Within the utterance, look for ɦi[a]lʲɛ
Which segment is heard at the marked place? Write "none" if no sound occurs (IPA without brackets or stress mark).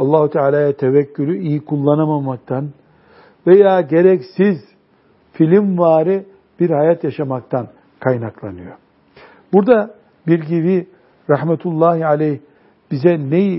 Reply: a